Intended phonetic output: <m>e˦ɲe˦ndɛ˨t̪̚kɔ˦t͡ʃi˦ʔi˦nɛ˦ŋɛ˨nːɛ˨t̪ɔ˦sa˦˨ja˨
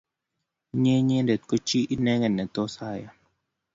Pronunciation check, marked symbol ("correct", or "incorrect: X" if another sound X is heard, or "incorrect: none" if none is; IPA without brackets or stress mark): incorrect: ɲ